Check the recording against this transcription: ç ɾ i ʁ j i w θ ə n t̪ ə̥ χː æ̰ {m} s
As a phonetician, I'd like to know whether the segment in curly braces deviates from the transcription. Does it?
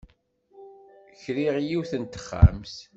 no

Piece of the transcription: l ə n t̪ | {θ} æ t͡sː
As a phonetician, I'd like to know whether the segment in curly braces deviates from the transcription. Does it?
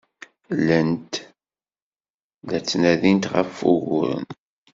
yes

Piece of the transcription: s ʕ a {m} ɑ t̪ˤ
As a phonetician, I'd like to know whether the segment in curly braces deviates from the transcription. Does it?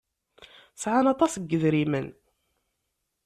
yes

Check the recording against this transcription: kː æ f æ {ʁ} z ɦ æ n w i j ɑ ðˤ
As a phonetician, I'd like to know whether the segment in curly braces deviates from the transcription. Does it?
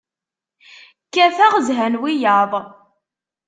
no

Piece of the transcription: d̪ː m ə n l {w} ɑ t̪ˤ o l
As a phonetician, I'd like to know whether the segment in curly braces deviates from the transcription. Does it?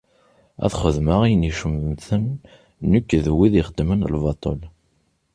yes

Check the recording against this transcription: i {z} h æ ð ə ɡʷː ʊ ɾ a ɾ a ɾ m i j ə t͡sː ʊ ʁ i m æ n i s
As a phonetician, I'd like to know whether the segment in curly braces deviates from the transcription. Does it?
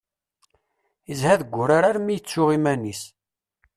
no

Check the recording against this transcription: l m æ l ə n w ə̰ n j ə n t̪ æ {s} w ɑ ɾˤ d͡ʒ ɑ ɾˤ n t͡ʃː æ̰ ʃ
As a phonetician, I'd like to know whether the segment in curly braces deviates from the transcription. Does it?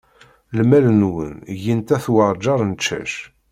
yes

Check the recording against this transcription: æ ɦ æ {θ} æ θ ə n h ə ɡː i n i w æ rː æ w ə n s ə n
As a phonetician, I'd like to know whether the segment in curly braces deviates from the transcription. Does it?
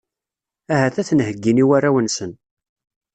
no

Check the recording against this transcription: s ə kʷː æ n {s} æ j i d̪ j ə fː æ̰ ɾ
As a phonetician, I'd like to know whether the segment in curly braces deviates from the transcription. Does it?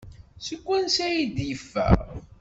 no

